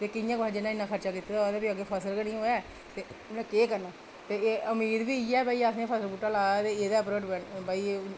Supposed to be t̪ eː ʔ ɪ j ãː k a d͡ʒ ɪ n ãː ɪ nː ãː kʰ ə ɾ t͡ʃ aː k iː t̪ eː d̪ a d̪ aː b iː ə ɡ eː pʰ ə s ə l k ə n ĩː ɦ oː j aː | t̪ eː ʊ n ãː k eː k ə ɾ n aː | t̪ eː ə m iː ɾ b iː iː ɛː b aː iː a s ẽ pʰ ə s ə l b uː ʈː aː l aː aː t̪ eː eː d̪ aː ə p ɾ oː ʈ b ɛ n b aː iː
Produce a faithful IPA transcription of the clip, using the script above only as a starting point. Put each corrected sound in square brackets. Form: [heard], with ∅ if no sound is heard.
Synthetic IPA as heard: t̪ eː [k] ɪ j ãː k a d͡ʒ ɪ n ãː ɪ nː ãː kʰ ə ɾ t͡ʃ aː k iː t̪ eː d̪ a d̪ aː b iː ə ɡ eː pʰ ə s ə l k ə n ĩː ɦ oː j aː | t̪ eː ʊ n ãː k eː k ə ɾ n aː | t̪ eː ə m iː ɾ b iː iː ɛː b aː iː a s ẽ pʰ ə s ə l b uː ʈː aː l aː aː t̪ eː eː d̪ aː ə p ɾ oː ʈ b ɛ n b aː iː